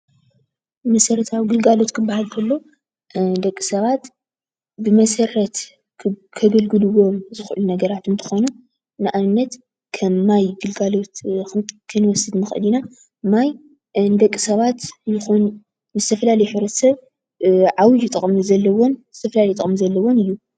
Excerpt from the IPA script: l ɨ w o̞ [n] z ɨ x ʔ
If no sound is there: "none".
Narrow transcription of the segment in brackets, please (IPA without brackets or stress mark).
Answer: m